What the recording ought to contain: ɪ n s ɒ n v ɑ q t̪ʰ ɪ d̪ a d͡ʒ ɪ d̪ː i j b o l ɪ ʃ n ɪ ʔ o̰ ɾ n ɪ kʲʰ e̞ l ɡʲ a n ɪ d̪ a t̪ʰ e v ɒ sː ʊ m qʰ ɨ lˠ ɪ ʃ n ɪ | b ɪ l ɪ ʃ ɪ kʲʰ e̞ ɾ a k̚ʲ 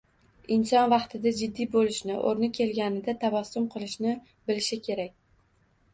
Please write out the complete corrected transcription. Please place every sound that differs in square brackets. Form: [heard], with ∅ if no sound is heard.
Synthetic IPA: ɪ n s ɒ n v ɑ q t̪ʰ ɪ d̪ a d͡ʒ ɪ d̪ː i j b o l ɪ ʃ n ɪ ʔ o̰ ɾ n ɪ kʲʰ e̞ l ɡʲ a n ɪ d̪ a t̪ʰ [a] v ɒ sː ʊ m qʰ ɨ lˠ ɪ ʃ n ɪ | b ɪ l ɪ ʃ ɪ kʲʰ e̞ ɾ a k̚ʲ